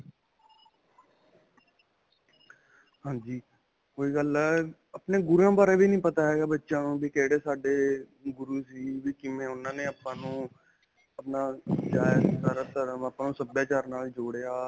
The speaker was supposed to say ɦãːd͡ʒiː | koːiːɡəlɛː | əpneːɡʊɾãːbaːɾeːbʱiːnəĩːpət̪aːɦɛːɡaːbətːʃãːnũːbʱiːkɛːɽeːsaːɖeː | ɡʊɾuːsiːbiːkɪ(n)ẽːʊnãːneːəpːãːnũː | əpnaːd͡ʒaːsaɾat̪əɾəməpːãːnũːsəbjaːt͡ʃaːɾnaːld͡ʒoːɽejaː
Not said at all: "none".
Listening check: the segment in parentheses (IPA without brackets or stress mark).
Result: m